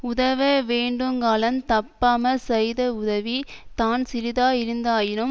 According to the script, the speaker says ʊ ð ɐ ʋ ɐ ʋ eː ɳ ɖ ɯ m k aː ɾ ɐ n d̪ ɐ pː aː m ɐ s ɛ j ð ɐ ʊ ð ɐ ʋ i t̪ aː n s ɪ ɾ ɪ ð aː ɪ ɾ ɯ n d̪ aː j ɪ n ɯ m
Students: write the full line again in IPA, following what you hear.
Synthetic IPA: ʊ ð ɐ ʋ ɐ ʋ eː ɳ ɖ ɯ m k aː l ɐ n t̪ ɐ pː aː m ɐ s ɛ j ð ɐ ʊ ð ɐ ʋ i t̪ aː n s ɪ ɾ ɪ ð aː ɪ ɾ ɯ n d̪ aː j ɪ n ɯ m